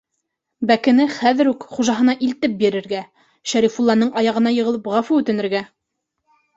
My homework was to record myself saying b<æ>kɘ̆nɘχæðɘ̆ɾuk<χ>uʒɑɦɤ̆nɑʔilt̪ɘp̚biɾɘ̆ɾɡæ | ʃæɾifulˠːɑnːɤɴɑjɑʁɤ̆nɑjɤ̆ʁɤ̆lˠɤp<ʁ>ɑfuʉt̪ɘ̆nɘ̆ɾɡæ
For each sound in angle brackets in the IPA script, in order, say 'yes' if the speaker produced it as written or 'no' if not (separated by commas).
yes, yes, yes